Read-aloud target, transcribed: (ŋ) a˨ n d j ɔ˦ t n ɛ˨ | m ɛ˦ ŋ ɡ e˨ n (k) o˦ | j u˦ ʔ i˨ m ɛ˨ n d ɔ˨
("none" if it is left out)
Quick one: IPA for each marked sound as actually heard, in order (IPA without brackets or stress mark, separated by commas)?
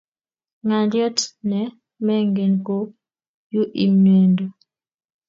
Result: ŋ, k